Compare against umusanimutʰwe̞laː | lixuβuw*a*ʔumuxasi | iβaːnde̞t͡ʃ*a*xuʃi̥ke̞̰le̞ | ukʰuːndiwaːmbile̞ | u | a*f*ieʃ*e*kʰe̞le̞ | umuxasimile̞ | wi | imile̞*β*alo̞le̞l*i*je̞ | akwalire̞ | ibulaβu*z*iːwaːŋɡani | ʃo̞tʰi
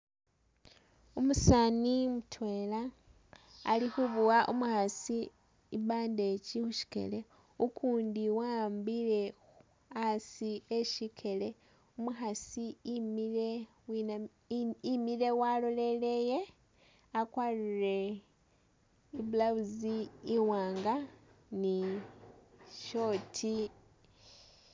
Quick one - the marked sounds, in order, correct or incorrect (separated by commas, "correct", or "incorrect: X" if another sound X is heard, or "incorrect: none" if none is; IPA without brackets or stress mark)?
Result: correct, incorrect: i, incorrect: s, incorrect: i, incorrect: w, incorrect: e, correct